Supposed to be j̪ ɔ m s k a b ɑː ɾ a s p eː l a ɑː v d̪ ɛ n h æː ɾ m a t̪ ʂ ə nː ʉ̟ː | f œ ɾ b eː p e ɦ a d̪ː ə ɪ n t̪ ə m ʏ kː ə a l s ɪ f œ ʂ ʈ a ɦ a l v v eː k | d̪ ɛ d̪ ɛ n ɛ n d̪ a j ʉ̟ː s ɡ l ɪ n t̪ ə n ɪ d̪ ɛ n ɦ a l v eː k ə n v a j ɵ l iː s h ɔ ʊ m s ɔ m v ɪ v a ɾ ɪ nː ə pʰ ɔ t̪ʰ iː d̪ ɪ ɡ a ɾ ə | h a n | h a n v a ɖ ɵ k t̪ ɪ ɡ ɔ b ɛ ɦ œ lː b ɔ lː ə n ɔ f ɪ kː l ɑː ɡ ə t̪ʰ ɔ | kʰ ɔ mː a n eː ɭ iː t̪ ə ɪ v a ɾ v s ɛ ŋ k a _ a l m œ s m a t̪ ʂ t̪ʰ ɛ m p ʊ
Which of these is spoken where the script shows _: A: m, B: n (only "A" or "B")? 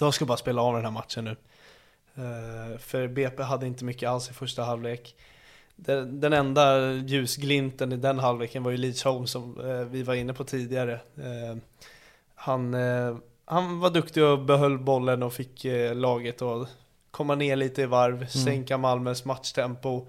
A